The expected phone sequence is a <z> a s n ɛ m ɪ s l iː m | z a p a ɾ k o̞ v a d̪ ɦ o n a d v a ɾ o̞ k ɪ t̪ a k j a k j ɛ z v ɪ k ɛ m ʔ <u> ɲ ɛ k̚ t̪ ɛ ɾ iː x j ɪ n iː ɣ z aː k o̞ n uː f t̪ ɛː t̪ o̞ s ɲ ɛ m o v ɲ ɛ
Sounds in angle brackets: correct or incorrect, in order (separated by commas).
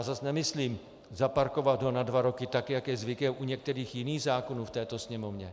correct, correct